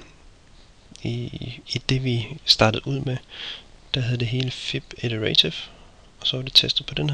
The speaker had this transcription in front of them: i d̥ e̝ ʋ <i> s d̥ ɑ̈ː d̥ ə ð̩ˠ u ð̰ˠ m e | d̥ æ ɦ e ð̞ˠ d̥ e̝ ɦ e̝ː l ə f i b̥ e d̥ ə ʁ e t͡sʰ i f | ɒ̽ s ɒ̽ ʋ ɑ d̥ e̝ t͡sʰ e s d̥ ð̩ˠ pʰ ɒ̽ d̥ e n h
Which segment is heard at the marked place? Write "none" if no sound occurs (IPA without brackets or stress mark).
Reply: i